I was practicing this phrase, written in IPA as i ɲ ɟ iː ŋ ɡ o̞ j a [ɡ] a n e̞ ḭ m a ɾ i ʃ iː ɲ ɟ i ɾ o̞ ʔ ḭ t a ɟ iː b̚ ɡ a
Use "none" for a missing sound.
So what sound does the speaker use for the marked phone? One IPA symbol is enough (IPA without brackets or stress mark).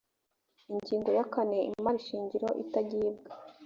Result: k